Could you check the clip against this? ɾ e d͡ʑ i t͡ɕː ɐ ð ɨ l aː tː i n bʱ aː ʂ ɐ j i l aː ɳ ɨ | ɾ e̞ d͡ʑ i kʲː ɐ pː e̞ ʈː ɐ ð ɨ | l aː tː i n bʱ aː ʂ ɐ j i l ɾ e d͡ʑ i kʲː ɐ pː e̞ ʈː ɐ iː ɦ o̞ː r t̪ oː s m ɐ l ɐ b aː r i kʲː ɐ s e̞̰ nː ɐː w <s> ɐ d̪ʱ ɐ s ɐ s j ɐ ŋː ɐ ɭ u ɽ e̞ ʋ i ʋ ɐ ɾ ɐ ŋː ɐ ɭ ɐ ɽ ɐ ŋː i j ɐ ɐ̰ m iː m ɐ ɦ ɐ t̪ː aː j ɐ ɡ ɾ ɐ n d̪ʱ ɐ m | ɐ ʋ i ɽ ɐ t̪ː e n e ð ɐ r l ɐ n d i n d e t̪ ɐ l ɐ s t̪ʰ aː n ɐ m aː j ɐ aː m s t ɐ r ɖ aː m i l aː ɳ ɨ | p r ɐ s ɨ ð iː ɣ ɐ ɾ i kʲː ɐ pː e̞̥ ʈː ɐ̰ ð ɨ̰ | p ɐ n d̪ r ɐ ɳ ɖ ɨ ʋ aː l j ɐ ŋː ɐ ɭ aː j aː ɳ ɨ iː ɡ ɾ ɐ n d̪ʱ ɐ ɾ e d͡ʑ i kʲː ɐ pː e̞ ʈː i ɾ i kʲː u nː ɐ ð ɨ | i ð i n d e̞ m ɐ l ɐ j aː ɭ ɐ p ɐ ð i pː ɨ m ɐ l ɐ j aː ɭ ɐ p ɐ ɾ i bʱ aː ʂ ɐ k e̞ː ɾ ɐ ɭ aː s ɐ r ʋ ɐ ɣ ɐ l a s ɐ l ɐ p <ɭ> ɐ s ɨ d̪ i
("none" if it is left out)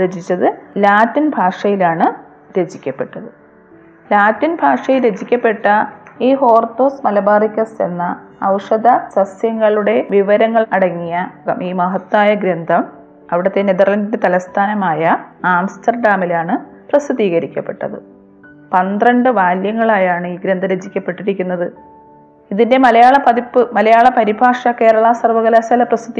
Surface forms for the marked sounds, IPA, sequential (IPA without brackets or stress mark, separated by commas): ʂ, r